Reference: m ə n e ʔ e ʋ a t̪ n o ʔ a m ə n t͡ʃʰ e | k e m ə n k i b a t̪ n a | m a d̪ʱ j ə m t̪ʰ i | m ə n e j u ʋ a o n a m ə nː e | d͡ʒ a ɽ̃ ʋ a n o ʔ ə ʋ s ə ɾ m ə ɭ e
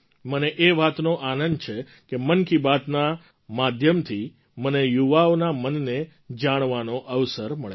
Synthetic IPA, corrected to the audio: m ə n e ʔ e ʋ a t̪ n o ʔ a n ə n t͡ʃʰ e | k e m ə n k i b a t̪ n a | m a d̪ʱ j ə m t̪ʰ i | m ə n e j u ʋ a o n a m ə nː e | d͡ʒ a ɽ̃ ʋ a n o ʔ ə ʋ s ə ɾ m ə ɭ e